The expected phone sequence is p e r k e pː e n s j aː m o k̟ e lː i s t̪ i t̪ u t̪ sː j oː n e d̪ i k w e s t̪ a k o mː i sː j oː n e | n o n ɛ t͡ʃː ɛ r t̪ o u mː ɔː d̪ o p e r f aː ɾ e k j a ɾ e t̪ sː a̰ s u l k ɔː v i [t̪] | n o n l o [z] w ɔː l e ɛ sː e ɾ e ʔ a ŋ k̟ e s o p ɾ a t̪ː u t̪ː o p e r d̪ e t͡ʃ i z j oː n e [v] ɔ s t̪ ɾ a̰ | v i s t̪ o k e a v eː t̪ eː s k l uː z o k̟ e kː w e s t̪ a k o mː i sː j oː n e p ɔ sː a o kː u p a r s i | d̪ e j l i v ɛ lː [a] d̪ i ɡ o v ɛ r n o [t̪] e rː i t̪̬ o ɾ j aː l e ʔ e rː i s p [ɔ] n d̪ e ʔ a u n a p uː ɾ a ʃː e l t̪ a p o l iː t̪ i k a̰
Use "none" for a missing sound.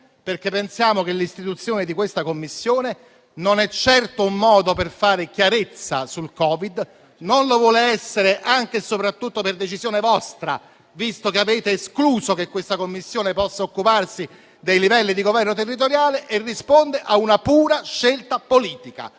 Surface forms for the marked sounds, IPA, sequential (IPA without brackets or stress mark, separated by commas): d̪, v, v, i, t̪, o